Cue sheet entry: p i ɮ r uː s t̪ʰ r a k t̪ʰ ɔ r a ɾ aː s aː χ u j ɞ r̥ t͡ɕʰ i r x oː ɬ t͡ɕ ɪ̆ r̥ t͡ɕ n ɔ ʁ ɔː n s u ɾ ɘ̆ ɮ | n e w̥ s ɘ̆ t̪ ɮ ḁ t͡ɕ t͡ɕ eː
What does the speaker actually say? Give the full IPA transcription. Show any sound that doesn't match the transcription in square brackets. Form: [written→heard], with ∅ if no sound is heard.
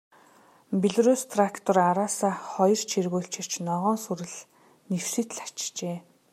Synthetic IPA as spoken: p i ɮ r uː s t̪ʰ r a k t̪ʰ ɔ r a ɾ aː s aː χ [u→ɔ] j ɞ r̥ t͡ɕʰ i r [x→ɣ] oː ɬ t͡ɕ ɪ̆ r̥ t͡ɕ n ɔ ʁ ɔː n s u ɾ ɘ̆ ɮ | n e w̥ s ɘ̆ t̪ ɮ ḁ t͡ɕ t͡ɕ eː